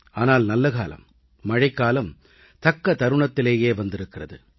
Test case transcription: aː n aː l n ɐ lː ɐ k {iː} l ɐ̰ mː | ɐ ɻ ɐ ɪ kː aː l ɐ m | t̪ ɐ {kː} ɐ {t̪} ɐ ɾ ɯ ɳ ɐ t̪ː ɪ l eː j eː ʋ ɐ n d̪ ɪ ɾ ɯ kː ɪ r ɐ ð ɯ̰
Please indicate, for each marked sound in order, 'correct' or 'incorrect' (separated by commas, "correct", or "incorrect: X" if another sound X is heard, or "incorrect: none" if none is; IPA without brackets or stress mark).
incorrect: aː, correct, correct